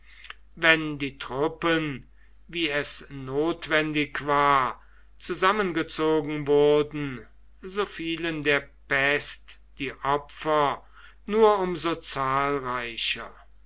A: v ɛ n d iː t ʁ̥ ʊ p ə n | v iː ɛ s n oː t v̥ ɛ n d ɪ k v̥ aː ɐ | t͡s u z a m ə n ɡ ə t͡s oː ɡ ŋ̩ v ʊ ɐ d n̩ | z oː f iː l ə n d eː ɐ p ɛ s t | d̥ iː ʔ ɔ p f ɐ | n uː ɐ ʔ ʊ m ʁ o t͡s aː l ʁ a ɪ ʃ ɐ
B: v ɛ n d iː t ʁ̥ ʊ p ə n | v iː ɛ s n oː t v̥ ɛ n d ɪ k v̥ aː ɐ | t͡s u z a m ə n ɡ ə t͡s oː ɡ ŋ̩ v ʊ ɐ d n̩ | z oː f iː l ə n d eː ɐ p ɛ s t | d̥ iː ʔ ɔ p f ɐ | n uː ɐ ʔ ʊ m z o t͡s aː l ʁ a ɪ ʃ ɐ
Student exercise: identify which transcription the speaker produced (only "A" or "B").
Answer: B